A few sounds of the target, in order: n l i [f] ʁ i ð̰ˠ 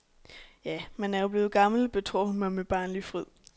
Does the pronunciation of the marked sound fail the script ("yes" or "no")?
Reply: no